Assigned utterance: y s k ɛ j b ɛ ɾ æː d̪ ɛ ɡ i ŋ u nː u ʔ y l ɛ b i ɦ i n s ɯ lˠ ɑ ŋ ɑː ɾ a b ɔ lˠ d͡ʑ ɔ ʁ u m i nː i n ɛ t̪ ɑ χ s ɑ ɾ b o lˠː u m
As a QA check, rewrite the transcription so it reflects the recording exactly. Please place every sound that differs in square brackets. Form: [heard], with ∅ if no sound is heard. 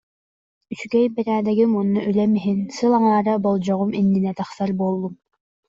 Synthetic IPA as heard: y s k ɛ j b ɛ ɾ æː d̪ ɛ ɡ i [m] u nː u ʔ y l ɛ [m] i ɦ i n s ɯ lˠ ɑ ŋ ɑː ɾ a b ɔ lˠ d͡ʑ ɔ ʁ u m i nː i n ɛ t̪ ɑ χ s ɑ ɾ b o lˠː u m

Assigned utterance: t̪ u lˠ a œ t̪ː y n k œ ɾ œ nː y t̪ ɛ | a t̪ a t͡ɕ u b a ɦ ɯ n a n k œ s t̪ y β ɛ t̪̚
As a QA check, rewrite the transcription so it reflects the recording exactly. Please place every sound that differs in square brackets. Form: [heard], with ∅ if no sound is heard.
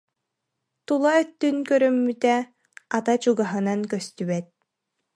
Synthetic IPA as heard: t̪ u lˠ a œ t̪ː y n k œ ɾ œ [mː] y t̪ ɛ | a t̪ a t͡ɕ u [ɡ] a ɦ ɯ n a n k œ s t̪ y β ɛ t̪̚

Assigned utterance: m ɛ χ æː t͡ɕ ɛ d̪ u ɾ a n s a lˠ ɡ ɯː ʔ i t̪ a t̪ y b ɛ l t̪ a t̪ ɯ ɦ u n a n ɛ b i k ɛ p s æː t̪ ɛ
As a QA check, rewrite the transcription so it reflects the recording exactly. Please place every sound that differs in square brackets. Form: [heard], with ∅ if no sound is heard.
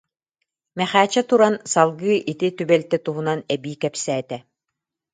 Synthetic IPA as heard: m ɛ χ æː t͡ɕ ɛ [t̪] u ɾ a n s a lˠ ɡ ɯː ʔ i t̪ [i] t̪ y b ɛ l t̪ [ɛ] t̪ [u] ɦ u n a n ɛ b [iː] k ɛ p s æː t̪ ɛ

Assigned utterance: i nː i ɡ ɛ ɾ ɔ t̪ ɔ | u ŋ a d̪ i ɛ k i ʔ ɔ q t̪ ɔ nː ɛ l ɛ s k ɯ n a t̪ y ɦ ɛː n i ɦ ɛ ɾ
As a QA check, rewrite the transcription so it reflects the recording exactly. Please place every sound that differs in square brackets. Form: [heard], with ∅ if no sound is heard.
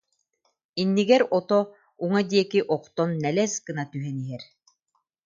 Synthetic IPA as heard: i nː i ɡ ɛ ɾ ɔ t̪ ɔ | u ŋ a d̪ i ɛ k i ʔ ɔ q t̪ ɔ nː ɛ l ɛ s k ɯ n a t̪ y ɦ [ɛ] n i ɦ ɛ ɾ

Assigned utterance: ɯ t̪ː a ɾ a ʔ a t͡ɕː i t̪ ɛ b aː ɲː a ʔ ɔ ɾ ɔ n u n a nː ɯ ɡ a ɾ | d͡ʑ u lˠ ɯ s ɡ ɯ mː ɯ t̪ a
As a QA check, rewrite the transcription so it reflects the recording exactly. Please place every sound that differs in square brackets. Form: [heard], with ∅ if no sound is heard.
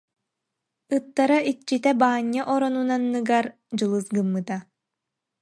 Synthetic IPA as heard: ɯ t̪ː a ɾ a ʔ [i] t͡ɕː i t̪ ɛ b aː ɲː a ʔ ɔ ɾ ɔ n u n a nː ɯ ɡ a ɾ | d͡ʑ [ɯ] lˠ ɯ s ɡ ɯ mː ɯ t̪ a

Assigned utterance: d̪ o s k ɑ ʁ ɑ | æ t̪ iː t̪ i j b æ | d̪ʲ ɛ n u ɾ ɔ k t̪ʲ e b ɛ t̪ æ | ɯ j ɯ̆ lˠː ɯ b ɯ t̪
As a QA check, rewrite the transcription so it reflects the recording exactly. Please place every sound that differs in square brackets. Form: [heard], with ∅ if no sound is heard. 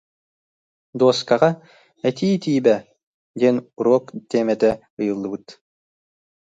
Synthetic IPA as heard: d̪ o s k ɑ ʁ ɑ | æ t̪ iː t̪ i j b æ | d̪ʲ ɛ n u ɾ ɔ k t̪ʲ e [m] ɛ t̪ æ | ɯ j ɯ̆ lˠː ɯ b ɯ t̪

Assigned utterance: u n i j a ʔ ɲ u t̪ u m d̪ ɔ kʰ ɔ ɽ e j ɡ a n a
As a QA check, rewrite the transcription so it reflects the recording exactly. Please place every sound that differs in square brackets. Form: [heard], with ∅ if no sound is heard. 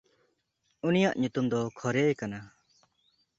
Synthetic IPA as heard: u n i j a ʔ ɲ u t̪ u m d̪ ɔ kʰ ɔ [ɾ] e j [k] a n a

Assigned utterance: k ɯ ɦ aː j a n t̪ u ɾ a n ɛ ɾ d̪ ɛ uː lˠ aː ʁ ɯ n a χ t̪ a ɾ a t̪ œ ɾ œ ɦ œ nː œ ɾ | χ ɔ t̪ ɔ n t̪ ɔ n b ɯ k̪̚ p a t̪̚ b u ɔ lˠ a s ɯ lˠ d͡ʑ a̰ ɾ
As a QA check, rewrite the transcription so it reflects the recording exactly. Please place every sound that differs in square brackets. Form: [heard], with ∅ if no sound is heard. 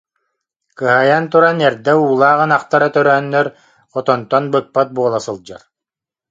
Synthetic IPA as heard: k ɯ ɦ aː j a n t̪ u ɾ a n ɛ ɾ d̪ ɛ uː lˠ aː ʁ ɯ n a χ t̪ a ɾ a t̪ œ ɾ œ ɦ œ nː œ ɾ | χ ɔ t̪ ɔ n t̪ ɔ n b ɯ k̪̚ p a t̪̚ b u ɔ lˠ a s ɯ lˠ d͡ʑ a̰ ɾ

